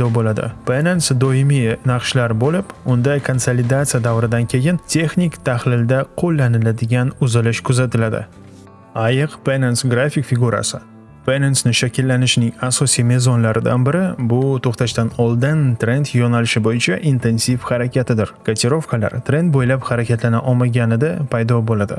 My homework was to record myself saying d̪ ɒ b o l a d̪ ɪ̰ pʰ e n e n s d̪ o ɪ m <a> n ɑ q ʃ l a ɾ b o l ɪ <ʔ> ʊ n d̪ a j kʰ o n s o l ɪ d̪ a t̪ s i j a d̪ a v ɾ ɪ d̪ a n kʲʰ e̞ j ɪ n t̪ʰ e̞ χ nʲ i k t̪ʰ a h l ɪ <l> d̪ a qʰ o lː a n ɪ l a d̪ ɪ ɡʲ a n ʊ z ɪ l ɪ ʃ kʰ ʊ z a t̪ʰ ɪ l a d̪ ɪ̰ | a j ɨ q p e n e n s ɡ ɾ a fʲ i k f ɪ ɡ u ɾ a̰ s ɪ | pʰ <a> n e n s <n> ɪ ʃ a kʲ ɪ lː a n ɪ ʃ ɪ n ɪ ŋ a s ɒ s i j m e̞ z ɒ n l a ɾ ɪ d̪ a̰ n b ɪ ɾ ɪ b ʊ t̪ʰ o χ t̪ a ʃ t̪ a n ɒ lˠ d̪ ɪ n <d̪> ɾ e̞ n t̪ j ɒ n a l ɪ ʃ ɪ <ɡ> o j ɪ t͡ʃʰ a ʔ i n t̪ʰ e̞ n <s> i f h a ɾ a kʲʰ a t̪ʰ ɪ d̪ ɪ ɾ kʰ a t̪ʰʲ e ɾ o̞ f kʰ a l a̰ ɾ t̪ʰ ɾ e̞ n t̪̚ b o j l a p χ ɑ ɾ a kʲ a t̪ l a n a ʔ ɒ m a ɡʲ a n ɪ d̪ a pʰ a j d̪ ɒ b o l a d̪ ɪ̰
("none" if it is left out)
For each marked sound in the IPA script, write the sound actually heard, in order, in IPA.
i, p, l, e, n, t̪, b, s

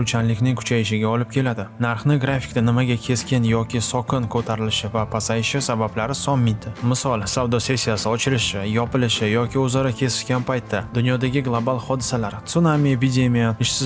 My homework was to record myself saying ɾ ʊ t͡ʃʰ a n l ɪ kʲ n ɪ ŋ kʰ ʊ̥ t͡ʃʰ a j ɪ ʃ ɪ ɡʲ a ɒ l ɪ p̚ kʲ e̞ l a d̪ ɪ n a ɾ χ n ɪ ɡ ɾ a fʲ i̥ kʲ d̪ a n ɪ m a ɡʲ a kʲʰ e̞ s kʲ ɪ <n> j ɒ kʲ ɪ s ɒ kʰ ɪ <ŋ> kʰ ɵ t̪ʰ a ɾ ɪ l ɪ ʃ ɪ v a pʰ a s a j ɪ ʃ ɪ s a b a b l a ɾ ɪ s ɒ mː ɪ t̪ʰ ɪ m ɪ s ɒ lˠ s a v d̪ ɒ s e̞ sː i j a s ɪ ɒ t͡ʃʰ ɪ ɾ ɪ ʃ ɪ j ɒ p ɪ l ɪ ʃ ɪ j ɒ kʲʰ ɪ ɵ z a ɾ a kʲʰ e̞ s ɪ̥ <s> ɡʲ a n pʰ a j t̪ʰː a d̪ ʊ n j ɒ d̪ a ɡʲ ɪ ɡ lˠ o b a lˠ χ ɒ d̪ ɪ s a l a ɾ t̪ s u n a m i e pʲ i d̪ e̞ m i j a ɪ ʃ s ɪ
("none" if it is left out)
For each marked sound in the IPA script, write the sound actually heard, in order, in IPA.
n, n, ʃ

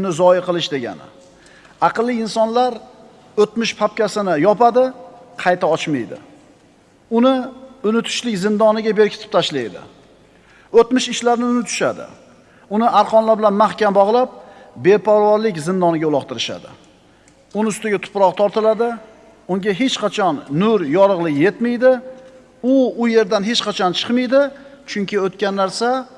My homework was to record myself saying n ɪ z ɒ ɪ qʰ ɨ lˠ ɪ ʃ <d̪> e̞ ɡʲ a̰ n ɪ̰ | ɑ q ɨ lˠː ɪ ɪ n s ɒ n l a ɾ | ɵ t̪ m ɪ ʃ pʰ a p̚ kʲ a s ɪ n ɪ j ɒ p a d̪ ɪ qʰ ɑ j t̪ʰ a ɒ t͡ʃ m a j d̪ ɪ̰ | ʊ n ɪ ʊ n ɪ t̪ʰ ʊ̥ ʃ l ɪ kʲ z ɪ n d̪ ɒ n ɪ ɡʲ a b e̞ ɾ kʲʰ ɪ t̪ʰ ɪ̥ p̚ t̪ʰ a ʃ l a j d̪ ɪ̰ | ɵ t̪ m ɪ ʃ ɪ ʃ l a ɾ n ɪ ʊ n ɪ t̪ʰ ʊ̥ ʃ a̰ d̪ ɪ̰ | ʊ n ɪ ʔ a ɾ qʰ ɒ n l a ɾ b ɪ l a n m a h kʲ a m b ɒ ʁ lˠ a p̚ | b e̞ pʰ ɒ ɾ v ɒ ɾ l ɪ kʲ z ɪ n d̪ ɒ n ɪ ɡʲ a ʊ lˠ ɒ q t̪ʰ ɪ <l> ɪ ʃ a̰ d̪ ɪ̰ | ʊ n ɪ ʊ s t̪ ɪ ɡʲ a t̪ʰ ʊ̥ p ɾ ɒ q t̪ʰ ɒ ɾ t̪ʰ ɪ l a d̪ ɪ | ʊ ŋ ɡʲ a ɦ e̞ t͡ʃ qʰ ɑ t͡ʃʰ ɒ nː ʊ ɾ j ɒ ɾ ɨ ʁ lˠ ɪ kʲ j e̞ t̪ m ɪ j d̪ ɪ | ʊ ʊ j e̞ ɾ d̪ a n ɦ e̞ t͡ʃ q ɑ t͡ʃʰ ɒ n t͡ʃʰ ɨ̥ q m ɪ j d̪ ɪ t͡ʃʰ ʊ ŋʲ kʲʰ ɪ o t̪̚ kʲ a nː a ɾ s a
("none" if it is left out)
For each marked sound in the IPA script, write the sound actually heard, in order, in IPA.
d̪, ɾ

